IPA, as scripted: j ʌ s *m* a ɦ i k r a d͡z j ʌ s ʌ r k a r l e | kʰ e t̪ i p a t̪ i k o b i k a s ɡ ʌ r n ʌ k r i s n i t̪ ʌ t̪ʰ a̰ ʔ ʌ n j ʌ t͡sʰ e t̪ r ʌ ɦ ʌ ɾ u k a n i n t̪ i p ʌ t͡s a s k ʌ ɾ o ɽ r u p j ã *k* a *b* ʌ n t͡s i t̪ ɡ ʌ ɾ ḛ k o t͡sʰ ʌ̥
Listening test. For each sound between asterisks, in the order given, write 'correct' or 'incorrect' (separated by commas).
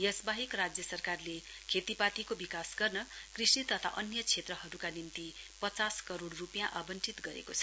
incorrect, incorrect, correct